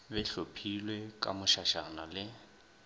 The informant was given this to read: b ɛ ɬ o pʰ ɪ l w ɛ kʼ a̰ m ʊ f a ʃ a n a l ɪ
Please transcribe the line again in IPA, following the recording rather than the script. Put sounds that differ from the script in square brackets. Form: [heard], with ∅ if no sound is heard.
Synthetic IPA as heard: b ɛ ɬ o pʰ [i] l w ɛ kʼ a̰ m ʊ [ʃ] a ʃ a n a l ɪ